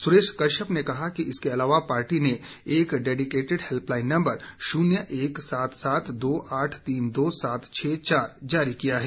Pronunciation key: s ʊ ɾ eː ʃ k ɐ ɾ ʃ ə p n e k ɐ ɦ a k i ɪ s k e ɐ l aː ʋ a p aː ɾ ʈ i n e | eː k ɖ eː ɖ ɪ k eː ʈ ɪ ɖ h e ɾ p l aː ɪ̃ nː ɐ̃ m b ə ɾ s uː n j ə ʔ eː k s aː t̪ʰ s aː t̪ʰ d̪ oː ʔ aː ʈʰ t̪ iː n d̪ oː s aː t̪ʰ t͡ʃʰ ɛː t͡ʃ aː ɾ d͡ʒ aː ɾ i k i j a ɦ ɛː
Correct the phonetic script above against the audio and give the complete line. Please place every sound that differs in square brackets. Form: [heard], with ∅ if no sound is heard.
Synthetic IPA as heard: s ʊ ɾ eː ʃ k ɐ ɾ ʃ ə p n e k ɐ ɦ a k i ɪ s k e ɐ l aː ʋ a p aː ɾ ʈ i n e | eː k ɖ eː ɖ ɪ k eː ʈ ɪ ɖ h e [l] p l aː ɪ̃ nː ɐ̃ m b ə ɾ [ʃ] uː n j ə ʔ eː k s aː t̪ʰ s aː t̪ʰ d̪ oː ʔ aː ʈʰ t̪ iː n d̪ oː s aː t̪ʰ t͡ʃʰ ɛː t͡ʃ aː ɾ d͡ʒ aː ɾ i k i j a ɦ ɛː